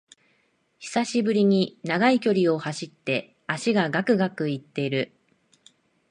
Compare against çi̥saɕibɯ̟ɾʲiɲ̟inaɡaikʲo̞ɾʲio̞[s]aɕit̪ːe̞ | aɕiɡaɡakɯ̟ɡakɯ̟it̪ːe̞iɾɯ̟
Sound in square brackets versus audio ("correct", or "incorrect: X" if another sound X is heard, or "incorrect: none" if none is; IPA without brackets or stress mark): incorrect: h